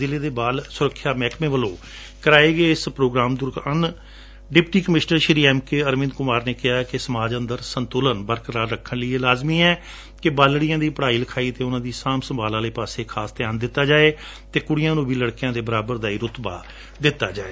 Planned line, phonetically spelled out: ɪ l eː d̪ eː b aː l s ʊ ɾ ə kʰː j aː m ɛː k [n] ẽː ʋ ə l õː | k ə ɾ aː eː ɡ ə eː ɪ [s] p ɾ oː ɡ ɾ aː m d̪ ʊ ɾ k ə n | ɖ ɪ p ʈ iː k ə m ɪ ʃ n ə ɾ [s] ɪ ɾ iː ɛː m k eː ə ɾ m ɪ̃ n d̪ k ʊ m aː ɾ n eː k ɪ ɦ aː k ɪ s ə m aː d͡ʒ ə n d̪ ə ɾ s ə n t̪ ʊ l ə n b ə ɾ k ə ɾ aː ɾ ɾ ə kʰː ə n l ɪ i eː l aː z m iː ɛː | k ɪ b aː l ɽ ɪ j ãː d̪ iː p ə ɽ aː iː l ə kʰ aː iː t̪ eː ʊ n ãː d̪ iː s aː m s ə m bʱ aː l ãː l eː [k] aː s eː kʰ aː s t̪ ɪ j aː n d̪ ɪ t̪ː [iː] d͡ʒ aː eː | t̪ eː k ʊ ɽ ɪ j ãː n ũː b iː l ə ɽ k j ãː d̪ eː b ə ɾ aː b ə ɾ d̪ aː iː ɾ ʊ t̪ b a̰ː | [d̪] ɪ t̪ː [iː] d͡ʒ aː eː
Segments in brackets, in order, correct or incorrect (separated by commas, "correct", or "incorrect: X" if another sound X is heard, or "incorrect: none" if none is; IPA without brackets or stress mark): incorrect: m, correct, incorrect: ʃ, incorrect: p, incorrect: aː, correct, incorrect: aː